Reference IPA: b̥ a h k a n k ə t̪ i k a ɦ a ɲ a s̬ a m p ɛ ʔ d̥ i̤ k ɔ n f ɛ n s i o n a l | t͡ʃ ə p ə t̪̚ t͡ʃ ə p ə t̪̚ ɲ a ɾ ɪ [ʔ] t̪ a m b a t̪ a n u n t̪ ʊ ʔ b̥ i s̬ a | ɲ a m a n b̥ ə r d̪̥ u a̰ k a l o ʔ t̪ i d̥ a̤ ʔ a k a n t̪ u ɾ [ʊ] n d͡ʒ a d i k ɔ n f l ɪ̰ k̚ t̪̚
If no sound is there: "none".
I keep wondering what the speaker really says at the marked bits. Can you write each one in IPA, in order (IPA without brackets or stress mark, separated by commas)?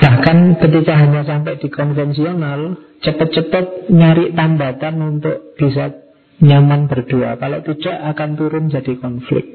ʔ, ʊ